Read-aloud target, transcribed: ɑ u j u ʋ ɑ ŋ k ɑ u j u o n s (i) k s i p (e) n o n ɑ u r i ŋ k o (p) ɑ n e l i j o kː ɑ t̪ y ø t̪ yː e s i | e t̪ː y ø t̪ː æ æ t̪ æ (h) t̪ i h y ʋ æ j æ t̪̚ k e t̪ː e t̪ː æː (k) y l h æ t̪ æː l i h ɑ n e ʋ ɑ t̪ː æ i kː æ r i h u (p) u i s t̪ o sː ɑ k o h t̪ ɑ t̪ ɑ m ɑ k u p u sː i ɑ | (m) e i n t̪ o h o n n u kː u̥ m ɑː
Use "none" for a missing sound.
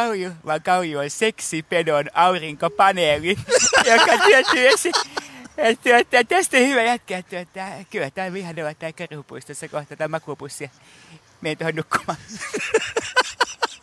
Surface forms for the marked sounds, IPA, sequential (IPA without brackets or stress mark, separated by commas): e, e, p, s, k, p, m